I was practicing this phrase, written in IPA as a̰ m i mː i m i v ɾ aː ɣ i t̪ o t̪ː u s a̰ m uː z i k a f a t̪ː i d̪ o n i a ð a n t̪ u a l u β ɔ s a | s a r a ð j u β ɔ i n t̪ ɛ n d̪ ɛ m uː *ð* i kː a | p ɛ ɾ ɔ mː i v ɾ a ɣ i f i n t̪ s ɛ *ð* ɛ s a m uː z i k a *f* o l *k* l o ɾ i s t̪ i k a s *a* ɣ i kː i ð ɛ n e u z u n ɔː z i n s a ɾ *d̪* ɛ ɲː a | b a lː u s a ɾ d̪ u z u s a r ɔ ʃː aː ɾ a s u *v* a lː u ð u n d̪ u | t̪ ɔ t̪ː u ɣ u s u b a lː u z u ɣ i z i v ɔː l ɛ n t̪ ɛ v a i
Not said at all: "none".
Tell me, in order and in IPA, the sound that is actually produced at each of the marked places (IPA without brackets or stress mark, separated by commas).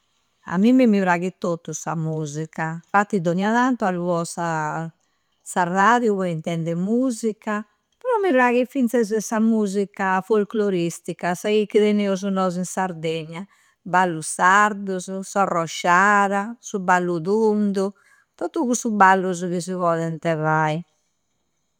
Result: z, z, f, k, a, d̪, b